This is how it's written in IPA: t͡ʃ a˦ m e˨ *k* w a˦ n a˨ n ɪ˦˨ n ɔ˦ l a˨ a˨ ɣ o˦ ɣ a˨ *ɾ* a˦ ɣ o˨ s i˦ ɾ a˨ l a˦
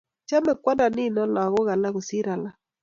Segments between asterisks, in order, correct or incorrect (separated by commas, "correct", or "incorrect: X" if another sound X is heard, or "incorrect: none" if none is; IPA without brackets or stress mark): correct, incorrect: l